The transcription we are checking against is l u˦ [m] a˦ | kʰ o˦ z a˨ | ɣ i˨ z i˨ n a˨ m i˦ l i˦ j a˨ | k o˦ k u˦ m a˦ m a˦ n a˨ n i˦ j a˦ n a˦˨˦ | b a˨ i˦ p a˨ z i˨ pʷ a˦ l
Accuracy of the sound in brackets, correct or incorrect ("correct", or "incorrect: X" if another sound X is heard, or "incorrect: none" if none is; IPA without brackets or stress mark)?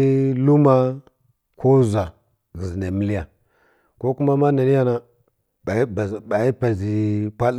correct